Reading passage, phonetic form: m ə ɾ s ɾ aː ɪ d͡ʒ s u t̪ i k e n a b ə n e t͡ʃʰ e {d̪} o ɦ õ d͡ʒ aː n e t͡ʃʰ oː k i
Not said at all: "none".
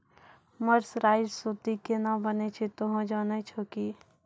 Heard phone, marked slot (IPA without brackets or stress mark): t̪